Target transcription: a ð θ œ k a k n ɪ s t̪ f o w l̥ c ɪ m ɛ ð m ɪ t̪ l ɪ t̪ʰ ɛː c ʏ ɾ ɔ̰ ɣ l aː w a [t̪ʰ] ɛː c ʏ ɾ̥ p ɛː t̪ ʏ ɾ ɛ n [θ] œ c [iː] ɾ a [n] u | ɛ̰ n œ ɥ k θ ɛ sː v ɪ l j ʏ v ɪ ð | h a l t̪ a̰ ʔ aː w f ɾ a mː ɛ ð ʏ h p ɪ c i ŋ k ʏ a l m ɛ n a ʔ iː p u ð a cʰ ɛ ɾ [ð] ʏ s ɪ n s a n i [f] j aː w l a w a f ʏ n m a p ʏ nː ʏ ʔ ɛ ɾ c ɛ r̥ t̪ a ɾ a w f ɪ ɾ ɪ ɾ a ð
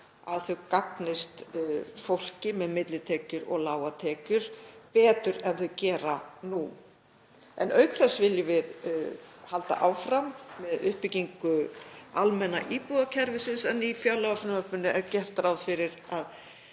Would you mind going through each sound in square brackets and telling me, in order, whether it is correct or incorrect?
correct, correct, incorrect, correct, incorrect, correct

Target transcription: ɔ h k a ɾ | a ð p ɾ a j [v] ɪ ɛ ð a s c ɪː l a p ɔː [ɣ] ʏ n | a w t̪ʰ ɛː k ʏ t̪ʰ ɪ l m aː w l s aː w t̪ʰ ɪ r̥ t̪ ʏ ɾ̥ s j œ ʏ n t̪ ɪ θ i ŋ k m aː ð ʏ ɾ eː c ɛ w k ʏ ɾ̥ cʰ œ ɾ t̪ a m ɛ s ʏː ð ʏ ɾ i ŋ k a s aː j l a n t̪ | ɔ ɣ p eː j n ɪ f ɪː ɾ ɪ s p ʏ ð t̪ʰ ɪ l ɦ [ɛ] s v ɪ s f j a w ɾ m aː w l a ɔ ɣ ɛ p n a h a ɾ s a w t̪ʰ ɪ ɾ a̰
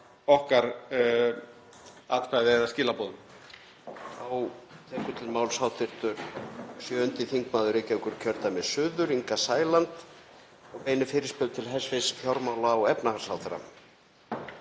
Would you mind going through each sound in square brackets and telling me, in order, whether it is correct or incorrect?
incorrect, incorrect, correct

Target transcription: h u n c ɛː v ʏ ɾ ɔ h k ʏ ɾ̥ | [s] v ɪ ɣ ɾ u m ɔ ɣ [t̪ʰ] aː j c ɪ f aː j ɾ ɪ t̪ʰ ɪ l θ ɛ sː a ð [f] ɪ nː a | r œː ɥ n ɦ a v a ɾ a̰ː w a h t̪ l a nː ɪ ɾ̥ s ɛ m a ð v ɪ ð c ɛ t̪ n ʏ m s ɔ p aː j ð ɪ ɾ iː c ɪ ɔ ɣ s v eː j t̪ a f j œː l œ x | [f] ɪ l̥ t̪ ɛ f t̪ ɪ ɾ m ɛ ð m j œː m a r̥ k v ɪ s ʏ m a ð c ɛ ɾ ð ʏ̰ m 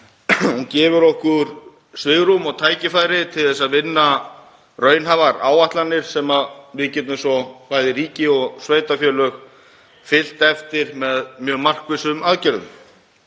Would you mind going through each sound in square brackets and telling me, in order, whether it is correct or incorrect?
correct, correct, incorrect, correct

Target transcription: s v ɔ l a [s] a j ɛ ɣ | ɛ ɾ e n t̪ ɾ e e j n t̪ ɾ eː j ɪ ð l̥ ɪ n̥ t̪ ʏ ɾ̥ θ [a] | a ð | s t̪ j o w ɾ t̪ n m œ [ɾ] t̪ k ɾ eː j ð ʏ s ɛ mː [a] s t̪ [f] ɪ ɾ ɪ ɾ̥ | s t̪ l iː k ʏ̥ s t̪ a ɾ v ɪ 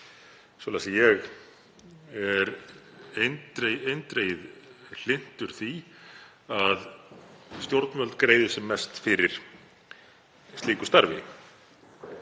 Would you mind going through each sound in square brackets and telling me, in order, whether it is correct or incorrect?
correct, incorrect, incorrect, incorrect, correct

